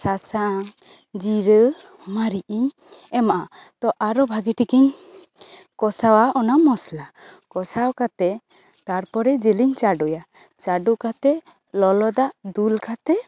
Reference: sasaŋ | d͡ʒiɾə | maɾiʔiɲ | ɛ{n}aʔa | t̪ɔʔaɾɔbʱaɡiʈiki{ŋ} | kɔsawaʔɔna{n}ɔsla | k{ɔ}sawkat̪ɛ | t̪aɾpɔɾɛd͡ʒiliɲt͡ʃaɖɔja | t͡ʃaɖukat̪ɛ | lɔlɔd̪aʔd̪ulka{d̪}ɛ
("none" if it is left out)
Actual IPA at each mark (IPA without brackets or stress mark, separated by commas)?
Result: m, ɲ, m, ɔ, t̪